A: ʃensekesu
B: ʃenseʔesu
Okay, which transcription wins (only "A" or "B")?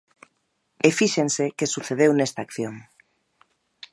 A